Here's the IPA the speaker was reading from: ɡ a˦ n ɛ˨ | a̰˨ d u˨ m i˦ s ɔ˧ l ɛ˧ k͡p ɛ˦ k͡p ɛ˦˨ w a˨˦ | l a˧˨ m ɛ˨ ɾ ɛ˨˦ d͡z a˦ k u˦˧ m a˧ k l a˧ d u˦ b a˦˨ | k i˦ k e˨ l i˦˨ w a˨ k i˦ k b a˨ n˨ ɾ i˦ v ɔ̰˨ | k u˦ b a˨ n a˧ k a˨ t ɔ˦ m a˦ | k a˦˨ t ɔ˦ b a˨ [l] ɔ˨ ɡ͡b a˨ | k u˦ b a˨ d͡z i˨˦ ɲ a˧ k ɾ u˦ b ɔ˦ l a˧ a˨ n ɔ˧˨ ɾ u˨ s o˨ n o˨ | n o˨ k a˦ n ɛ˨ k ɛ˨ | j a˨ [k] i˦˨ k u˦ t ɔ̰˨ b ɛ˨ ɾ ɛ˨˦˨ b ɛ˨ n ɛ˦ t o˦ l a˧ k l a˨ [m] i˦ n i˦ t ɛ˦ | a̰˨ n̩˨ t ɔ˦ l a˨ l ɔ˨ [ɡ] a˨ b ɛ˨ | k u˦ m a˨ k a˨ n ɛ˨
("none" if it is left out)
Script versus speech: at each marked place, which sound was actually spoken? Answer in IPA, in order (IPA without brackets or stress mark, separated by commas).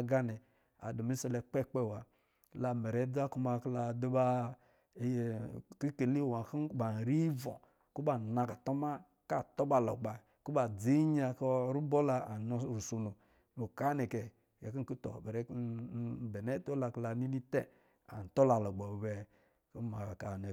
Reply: l, k, n, ɡ͡b